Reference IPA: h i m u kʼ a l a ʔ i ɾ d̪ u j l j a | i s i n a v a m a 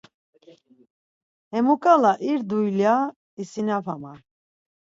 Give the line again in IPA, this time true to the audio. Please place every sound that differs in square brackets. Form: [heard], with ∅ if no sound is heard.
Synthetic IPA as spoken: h [ɛ] m u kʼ a l a ʔ i ɾ d̪ u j l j a | i s i n a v a m a